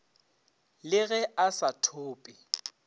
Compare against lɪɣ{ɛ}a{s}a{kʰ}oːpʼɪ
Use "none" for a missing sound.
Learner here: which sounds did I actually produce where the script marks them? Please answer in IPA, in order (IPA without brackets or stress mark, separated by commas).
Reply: ɛ, s, tʰ